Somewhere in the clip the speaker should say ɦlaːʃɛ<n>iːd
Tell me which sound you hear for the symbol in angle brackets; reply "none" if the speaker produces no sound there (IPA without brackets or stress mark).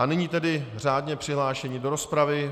ɲ